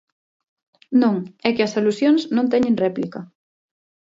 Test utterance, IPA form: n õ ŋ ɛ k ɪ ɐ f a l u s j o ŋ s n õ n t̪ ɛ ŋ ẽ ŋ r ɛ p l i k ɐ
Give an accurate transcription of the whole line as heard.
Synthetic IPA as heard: n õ ŋ ɛ k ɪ ɐ s a l u s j o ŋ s n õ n t̪ ɛ ɲ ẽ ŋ r ɛ p l i k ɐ